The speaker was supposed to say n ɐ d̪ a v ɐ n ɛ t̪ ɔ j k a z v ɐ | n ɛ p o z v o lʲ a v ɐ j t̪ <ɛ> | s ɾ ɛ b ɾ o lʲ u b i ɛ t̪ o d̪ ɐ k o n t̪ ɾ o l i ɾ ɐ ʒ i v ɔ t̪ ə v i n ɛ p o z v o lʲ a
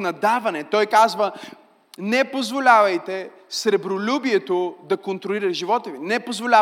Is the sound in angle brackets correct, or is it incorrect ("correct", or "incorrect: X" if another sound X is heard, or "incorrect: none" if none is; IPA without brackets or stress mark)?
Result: correct